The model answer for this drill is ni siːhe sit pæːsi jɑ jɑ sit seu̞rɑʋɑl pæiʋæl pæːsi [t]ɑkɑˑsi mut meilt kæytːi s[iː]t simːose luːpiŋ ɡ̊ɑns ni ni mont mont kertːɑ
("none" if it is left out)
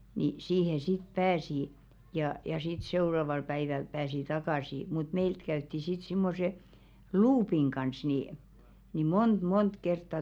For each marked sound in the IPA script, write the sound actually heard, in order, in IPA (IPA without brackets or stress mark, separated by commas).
t, i